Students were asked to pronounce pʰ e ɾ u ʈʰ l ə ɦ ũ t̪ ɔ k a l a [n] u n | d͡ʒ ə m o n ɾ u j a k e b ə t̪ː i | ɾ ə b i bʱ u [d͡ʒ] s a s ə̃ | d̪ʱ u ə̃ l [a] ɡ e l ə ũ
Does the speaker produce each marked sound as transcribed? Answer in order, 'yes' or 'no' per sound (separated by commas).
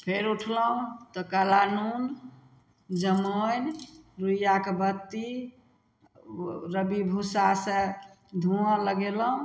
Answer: yes, no, no